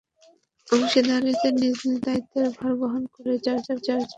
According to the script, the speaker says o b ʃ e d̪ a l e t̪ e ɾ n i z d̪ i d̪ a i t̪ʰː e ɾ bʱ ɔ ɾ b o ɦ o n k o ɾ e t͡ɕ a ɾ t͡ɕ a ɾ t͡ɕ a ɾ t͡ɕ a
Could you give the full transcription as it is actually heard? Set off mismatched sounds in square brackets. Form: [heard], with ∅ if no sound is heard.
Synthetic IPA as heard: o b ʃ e d̪ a [ɾ] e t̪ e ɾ n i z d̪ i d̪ a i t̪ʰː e ɾ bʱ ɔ ɾ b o ɦ o n k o ɾ e t͡ɕ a ɾ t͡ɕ a ɾ t͡ɕ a ɾ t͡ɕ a